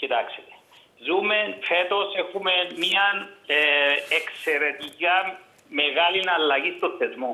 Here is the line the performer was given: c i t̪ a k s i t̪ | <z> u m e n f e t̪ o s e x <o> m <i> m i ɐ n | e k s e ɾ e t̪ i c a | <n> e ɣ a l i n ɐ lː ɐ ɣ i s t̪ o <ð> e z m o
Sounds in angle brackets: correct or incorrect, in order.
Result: correct, incorrect: u, incorrect: e, incorrect: m, incorrect: θ

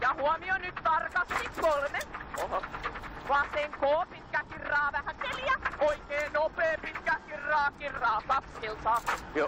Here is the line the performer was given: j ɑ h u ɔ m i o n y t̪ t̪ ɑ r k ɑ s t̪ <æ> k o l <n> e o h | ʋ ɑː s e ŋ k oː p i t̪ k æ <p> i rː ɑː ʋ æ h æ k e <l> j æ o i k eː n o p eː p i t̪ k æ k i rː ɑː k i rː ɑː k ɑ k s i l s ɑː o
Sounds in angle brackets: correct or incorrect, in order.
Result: incorrect: i, incorrect: m, incorrect: k, correct

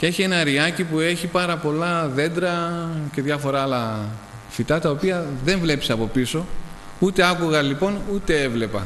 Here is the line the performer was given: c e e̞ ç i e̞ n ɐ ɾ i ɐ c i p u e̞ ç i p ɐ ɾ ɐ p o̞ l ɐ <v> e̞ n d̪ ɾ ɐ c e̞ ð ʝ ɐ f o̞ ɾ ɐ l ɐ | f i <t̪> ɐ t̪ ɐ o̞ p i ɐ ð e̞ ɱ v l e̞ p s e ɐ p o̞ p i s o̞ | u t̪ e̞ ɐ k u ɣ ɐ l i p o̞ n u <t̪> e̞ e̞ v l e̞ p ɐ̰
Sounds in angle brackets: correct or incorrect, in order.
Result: incorrect: ð, correct, correct

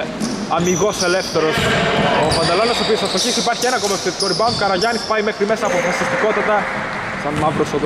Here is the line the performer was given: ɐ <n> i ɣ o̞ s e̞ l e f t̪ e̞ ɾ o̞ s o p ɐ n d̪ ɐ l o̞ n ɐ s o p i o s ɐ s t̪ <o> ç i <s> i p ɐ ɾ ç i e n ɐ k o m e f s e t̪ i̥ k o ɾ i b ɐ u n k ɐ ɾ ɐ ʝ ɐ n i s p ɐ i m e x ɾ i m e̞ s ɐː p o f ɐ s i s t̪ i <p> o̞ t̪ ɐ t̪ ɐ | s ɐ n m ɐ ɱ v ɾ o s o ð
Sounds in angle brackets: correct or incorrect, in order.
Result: incorrect: m, correct, correct, incorrect: k

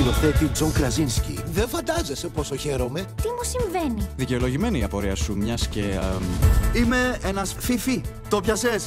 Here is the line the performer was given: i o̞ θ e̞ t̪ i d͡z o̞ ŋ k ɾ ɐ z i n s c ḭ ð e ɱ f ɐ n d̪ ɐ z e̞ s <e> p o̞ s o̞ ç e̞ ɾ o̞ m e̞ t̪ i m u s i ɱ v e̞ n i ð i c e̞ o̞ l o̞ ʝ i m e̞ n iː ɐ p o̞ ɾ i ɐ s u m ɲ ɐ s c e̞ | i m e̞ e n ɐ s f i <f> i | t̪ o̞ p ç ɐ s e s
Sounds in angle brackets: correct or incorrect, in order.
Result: correct, correct

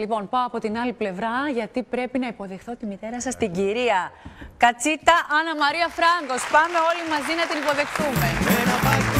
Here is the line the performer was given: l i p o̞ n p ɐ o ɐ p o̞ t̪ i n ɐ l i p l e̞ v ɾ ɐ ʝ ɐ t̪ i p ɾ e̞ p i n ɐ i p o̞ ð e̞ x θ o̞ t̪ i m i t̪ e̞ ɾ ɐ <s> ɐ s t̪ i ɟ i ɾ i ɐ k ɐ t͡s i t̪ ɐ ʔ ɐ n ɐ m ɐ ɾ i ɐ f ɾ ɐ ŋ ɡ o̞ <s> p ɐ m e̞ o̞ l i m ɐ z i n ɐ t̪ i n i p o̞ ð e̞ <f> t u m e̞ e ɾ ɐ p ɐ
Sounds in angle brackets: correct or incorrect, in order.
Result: correct, correct, incorrect: x

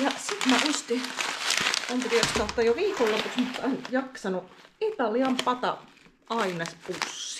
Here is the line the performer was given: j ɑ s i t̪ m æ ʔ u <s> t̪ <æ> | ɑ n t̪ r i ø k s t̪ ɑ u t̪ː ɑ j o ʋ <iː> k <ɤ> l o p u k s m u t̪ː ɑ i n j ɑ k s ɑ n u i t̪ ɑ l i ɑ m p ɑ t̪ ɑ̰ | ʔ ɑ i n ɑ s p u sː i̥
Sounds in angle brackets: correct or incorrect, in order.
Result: correct, incorrect: i, correct, incorrect: o

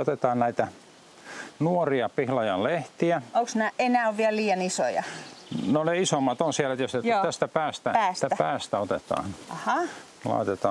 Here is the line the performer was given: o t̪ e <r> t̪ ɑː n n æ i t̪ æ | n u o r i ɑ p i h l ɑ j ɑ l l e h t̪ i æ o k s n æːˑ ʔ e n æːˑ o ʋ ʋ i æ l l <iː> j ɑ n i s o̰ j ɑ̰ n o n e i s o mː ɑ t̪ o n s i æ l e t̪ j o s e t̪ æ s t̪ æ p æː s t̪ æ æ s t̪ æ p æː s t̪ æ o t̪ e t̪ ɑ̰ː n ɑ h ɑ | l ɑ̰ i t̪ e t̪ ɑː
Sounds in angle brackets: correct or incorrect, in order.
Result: incorrect: none, correct

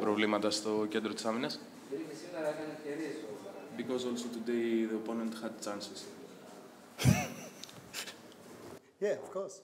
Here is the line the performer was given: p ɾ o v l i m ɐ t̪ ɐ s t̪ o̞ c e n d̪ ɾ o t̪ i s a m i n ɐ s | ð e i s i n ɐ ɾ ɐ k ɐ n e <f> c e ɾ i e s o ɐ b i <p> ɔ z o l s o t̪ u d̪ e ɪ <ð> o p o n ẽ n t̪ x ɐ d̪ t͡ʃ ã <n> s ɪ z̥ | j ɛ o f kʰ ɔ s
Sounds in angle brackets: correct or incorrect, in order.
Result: correct, incorrect: k, correct, correct

